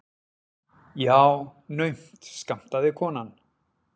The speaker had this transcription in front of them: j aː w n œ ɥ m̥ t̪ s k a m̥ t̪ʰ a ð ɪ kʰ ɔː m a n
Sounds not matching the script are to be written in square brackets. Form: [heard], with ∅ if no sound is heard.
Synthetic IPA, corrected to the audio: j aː w n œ ɥ m̥ t̪ s k a m̥ [t̪] a ð ɪ kʰ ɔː [n] a n